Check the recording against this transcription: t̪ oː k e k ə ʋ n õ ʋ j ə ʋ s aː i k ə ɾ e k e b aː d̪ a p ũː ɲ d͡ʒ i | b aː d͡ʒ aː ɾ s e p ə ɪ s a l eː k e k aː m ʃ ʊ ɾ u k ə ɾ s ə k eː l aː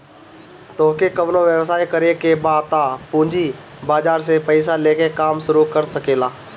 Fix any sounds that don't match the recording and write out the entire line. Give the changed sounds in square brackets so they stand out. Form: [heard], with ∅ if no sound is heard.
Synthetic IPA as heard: t̪ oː k e k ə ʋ n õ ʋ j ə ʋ s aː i k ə ɾ e k e b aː [t̪] a p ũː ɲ d͡ʒ i | b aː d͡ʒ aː ɾ s e p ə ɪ s a l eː k e k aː m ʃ ʊ ɾ u k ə ɾ s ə k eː l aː

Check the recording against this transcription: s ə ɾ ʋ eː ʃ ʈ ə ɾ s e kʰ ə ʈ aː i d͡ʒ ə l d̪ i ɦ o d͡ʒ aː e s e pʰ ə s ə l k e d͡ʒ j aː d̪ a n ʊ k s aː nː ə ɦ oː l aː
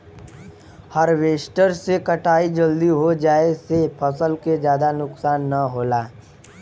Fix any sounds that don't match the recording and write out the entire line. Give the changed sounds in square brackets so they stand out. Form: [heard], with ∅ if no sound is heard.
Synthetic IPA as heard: [h] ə ɾ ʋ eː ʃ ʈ ə ɾ s e [k] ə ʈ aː i d͡ʒ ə l d̪ i ɦ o d͡ʒ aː e s e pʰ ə s ə l k e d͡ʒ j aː d̪ a n ʊ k s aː nː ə ɦ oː l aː

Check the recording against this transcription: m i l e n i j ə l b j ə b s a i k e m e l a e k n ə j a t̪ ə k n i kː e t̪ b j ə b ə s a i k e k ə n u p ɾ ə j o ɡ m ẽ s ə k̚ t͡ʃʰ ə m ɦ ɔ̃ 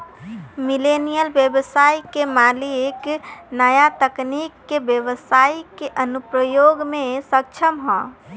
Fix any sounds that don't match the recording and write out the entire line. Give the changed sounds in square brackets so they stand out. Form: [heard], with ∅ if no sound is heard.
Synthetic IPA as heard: m i l e n i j ə l b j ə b s a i k e m [a] l [i] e k n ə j a t̪ ə k n i kː e [∅] b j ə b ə s a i k e [ʔ] ə n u p ɾ ə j o ɡ m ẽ s ə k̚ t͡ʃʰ ə m ɦ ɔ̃

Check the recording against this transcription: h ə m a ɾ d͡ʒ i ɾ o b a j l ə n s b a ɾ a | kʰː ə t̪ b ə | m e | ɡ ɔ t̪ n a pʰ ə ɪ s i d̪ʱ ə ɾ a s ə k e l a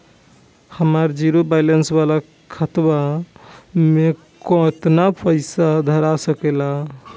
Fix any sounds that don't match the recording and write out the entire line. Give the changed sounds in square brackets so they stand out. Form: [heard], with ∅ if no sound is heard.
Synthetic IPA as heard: h ə m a ɾ d͡ʒ i ɾ o b a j l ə n s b a [l] a | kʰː ə t̪ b [a] | m e | [k] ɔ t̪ n a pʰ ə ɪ s [a] d̪ʱ ə ɾ a s ə k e l a

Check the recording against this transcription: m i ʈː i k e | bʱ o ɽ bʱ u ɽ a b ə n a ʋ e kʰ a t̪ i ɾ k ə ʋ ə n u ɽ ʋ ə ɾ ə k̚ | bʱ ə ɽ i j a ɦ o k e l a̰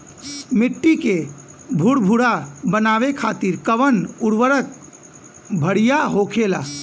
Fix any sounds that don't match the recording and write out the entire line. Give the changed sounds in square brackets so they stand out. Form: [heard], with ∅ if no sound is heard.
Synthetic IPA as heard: m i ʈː i k e | bʱ [u] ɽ bʱ u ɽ a b ə n a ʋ e kʰ a t̪ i ɾ k ə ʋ ə n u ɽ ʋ ə ɾ ə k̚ | bʱ ə ɽ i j a ɦ o [kʰ] e l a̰

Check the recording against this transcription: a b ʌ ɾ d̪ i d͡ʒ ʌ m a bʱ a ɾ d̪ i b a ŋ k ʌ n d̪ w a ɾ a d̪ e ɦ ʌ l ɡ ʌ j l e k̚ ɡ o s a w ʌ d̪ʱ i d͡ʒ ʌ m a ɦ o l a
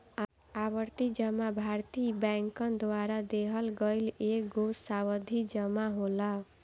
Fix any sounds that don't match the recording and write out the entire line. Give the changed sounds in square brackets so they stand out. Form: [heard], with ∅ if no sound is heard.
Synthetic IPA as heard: a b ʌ ɾ [t̪] i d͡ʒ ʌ m a bʱ a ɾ [t̪] i b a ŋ k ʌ n d̪ w a ɾ a d̪ e ɦ ʌ l ɡ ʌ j l e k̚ ɡ o s a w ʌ d̪ʱ i d͡ʒ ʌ m a ɦ o l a

